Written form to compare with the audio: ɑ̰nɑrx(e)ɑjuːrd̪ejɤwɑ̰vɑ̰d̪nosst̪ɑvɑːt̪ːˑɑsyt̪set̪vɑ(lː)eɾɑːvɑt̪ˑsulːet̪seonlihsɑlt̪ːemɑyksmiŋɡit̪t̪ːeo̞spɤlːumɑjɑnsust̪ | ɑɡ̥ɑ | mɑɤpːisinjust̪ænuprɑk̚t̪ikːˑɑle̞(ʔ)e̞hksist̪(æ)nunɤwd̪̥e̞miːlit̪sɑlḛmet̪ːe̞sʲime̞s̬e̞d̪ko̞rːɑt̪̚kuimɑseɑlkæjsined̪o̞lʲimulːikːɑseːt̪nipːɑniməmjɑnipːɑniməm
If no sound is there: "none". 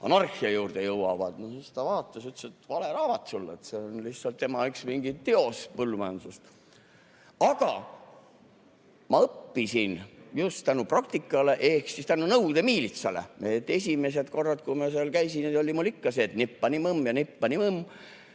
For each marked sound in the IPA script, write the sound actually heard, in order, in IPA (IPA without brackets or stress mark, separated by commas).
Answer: i, l, ʔ, æ